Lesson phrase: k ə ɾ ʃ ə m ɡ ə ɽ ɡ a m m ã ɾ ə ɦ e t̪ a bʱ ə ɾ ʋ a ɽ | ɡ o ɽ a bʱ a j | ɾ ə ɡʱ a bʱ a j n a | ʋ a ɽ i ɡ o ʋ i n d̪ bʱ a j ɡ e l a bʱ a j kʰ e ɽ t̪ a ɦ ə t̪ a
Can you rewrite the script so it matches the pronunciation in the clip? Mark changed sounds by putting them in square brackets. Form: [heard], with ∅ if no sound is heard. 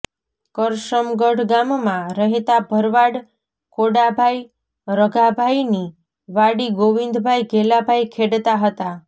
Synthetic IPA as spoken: k ə ɾ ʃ ə m ɡ ə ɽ ɡ a m m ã ɾ ə ɦ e t̪ a bʱ ə ɾ ʋ a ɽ | [k] o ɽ a bʱ a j | ɾ ə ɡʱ a bʱ a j n [i] | ʋ a ɽ i ɡ o ʋ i n d̪ bʱ a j ɡ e l a bʱ a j kʰ e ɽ t̪ a ɦ ə t̪ a